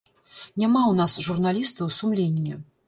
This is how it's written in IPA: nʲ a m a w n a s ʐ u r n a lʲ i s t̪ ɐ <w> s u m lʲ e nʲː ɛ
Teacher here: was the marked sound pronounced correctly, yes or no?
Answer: yes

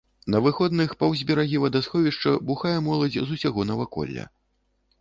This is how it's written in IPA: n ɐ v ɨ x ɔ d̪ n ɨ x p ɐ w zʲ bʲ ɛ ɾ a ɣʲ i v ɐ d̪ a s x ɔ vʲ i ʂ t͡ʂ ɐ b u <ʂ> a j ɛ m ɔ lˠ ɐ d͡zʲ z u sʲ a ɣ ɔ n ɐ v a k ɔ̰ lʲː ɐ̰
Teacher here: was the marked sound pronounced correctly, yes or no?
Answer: no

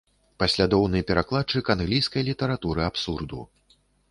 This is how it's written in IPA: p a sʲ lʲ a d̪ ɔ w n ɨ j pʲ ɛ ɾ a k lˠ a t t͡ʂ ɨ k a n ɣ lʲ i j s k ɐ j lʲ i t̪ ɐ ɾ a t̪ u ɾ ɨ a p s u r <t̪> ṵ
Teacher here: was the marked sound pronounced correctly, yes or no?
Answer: no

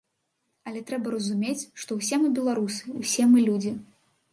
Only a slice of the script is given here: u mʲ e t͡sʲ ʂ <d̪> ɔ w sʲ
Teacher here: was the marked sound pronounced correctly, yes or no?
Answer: no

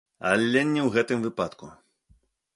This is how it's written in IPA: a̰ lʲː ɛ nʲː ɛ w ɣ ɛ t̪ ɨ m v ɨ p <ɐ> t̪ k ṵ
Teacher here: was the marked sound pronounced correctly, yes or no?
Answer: no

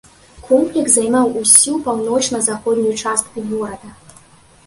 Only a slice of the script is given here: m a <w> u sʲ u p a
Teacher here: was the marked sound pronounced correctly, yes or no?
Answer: yes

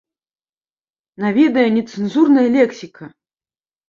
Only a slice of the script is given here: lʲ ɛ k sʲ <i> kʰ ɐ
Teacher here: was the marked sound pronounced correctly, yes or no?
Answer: yes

